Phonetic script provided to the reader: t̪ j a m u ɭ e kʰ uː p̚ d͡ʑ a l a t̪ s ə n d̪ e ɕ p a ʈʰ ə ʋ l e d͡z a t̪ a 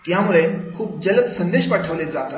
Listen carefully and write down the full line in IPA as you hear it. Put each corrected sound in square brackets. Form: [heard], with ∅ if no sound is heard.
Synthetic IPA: t̪ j a m u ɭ e kʰ uː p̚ d͡ʑ [ə] l [ə] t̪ s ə n d̪ e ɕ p a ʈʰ ə ʋ l e d͡z a t̪ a